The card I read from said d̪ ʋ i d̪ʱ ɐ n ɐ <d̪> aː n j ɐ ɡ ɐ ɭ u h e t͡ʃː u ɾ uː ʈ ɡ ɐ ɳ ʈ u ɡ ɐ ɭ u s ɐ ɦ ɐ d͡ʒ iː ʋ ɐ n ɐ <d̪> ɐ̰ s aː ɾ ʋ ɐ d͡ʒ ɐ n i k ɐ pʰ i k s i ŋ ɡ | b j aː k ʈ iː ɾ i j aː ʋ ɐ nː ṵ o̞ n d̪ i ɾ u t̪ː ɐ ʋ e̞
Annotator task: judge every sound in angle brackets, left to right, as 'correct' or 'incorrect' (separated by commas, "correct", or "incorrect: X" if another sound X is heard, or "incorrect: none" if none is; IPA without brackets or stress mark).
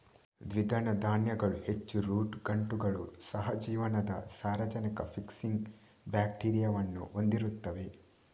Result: correct, correct